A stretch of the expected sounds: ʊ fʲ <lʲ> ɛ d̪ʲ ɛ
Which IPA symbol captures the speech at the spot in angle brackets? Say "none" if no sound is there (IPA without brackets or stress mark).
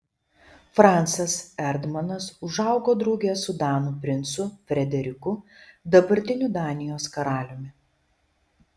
ɾʲ